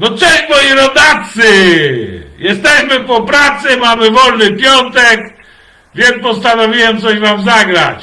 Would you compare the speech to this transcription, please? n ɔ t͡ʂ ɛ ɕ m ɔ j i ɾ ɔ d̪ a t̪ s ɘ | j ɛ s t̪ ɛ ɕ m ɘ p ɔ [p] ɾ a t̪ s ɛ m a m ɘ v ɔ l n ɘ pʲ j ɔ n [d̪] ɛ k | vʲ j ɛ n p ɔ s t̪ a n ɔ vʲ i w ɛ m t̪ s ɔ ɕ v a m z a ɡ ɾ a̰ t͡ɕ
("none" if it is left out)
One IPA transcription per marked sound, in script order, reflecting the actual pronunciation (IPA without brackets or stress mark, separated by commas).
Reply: p, t̪